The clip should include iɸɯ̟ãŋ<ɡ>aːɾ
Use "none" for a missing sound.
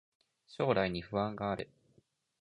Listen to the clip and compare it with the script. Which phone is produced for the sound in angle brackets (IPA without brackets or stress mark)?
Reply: ɡ